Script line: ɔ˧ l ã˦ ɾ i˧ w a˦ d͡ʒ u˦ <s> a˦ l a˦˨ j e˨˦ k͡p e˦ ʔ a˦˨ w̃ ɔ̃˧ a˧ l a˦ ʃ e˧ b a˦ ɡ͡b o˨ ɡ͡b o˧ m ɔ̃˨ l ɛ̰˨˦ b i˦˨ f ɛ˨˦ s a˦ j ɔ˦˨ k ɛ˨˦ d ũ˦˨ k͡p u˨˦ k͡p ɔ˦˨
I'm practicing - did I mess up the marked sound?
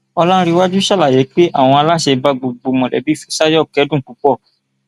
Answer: yes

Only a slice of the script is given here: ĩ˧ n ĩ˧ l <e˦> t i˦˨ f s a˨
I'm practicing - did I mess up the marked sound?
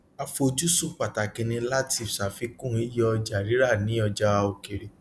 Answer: yes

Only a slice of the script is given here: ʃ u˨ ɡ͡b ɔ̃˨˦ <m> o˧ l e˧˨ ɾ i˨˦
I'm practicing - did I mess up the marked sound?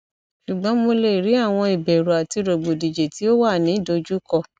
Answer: no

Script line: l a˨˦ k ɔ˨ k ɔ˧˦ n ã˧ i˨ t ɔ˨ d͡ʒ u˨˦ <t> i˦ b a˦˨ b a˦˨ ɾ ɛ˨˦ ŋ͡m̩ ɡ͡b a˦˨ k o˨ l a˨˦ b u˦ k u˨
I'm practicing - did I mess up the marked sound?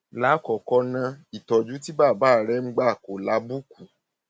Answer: no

